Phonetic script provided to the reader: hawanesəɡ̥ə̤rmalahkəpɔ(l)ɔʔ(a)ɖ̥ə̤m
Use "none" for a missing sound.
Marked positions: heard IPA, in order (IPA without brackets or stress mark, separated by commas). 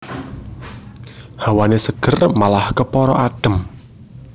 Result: ɾ, a